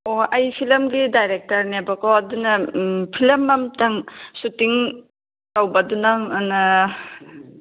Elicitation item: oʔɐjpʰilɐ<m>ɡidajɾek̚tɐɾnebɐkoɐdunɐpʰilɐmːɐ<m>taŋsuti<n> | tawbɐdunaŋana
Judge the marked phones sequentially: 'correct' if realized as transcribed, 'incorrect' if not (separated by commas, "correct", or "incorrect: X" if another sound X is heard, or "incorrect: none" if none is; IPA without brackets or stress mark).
correct, correct, incorrect: ŋ